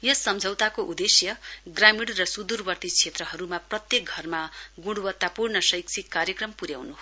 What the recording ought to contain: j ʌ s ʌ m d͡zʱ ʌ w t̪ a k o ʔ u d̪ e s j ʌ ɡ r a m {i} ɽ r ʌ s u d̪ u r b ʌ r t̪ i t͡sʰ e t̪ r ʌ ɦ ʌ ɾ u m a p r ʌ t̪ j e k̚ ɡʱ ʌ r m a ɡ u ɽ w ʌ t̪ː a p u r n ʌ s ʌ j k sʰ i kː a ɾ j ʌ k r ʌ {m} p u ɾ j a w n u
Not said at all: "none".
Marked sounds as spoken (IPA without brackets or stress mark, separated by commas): i, m